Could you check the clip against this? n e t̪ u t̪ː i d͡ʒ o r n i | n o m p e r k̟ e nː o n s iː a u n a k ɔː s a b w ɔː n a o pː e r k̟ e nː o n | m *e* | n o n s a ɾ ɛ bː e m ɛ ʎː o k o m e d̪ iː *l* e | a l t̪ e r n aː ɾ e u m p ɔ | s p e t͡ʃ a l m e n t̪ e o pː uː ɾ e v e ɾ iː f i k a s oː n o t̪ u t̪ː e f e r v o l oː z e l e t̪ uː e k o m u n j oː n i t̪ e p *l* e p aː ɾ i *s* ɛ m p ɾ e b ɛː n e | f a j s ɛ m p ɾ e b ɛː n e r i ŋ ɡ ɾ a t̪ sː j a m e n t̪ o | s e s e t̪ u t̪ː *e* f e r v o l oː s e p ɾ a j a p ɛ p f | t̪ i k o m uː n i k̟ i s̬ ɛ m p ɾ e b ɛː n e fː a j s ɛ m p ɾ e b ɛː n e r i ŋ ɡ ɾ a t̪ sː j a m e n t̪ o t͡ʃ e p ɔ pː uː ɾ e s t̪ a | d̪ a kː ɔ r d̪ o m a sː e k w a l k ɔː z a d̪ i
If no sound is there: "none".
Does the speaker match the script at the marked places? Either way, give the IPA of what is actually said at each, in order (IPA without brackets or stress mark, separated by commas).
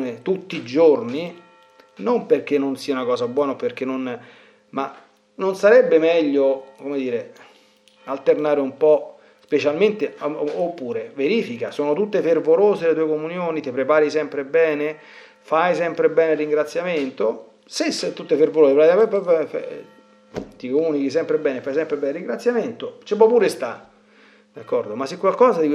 a, ɾ, ɾ, s, e